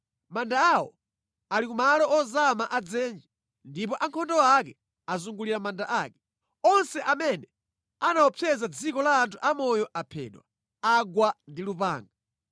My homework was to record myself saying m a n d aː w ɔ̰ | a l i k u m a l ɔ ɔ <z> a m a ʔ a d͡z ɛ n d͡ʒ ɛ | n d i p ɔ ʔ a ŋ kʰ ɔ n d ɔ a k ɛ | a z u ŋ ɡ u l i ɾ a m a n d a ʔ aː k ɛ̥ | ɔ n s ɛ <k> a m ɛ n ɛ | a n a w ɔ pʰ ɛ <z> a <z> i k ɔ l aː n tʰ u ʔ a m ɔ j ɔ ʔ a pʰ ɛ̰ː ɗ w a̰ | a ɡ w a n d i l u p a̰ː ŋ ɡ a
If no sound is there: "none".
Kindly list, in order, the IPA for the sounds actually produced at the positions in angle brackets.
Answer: z, ʔ, z, d͡z

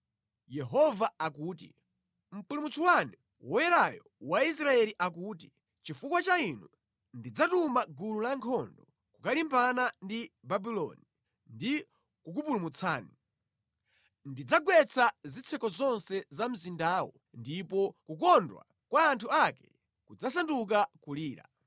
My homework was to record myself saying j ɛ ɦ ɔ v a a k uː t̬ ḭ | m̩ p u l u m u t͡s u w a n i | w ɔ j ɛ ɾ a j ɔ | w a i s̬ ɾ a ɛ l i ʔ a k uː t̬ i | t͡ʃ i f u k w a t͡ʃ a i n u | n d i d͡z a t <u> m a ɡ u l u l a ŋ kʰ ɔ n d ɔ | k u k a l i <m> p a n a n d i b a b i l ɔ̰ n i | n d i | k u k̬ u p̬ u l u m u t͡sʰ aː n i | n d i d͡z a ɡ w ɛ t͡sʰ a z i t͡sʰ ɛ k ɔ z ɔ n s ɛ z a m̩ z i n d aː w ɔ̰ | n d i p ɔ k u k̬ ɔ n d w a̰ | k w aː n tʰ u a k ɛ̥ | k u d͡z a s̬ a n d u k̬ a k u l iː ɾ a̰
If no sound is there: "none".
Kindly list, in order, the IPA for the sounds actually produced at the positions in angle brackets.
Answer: u, m

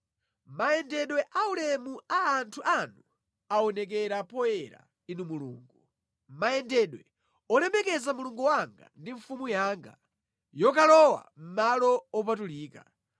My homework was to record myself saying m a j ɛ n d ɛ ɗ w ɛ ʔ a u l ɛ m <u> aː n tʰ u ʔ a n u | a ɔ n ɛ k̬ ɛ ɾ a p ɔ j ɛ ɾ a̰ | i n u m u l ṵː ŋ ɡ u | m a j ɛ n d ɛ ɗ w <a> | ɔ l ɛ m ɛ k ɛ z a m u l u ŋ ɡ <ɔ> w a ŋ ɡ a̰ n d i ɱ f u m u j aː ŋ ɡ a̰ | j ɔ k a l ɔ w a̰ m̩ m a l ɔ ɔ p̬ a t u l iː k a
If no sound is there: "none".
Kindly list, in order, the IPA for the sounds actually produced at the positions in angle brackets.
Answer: u, ɛ, u

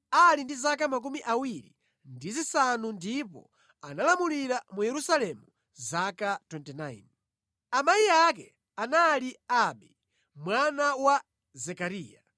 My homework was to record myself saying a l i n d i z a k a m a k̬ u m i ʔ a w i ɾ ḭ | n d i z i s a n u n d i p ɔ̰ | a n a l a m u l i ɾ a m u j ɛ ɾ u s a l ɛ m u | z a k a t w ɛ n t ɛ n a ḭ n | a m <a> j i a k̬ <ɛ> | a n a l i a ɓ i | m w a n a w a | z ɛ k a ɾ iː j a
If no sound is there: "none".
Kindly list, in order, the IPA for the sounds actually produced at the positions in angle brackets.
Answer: a, ɛ

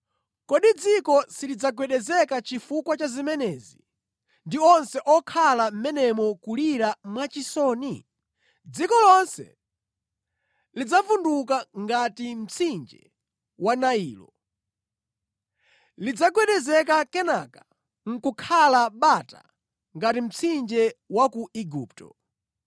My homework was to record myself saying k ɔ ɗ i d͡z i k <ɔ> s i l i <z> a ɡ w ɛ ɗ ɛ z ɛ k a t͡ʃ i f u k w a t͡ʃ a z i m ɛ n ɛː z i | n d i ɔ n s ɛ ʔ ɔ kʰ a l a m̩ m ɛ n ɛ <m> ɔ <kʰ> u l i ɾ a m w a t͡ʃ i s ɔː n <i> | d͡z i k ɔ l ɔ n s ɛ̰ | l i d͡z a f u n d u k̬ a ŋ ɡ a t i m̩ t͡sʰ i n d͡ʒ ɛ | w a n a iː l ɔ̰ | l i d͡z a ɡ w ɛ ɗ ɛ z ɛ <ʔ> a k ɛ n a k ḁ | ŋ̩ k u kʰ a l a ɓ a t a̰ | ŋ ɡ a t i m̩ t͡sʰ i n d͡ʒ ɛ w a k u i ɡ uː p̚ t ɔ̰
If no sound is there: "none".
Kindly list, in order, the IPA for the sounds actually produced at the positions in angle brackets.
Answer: ɔ, d͡z, m, k, i, k

